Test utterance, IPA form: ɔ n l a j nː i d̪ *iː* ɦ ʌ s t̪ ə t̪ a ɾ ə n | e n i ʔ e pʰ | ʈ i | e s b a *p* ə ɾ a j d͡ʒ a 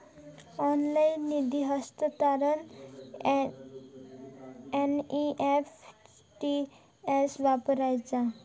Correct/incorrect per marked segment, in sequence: incorrect, correct

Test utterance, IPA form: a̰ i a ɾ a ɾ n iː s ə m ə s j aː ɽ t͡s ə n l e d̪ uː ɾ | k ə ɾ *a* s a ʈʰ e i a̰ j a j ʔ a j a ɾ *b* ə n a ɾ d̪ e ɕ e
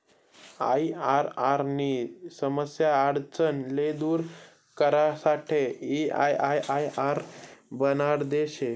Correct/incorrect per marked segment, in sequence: correct, correct

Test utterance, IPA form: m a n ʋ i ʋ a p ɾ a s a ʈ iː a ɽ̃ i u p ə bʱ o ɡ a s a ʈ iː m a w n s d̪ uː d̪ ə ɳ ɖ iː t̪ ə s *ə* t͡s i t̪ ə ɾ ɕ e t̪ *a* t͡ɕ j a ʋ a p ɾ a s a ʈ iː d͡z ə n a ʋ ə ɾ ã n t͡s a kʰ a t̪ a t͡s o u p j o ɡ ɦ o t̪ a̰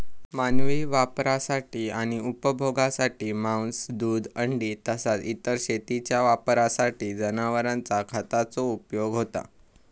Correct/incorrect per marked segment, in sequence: incorrect, incorrect

